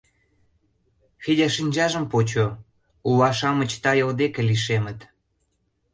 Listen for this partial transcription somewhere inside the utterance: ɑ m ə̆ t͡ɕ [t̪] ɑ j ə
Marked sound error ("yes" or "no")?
no